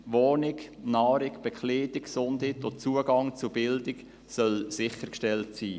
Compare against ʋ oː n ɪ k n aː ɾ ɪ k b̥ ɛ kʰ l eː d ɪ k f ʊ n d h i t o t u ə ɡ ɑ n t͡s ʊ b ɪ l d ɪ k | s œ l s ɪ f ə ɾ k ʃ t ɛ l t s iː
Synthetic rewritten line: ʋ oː n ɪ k n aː ɾ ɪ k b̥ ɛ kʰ l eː d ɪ k s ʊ n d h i t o t͡s u ə ɡ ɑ ŋ t͡s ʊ b ɪ l d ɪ k | s œ l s ɪ χ ə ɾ k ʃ t ɛ l t s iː